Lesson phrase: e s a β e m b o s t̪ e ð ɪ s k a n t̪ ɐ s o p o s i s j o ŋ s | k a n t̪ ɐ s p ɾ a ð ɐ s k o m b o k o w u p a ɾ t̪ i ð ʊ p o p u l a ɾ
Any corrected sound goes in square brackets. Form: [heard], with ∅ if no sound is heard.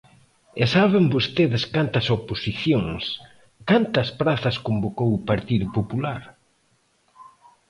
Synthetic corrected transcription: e s a β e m b o s t̪ e ð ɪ s k a n t̪ ɐ s o p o s i [θ] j o ŋ s | k a n t̪ ɐ s p ɾ a [θ] ɐ s k o m b o k o w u p a ɾ t̪ i ð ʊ p o p u l a ɾ